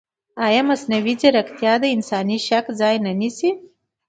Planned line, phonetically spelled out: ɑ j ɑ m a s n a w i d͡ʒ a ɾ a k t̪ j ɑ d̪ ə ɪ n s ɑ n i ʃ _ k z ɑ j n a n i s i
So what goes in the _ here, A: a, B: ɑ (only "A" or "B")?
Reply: A